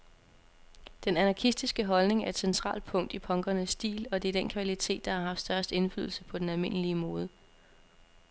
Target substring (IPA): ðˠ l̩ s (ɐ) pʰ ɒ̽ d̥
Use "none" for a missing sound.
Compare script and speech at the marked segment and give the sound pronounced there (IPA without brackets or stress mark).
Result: ə